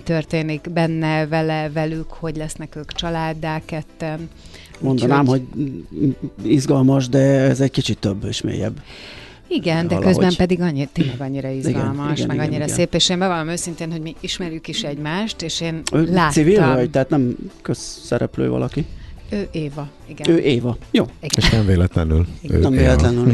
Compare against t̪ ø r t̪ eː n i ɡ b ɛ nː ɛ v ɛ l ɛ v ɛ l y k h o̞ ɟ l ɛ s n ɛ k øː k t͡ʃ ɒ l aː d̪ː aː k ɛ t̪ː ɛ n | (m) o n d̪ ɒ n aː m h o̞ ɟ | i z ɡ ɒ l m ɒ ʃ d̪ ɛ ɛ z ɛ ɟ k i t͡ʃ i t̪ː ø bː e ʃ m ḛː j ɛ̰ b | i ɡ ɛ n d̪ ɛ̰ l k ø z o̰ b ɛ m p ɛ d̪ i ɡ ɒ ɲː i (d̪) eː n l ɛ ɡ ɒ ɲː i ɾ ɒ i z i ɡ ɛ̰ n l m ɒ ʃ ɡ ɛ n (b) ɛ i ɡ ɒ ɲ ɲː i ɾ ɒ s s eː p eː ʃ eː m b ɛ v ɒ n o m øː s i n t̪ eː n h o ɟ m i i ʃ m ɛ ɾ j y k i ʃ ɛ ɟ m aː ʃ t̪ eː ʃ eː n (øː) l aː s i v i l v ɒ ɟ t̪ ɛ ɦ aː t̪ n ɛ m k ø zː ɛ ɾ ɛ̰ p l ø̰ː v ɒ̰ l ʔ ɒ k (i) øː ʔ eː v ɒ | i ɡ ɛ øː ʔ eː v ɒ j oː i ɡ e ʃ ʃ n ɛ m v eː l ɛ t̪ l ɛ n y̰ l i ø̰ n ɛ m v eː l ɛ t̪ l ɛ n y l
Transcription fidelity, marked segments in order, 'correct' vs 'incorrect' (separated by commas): correct, incorrect, incorrect, correct, correct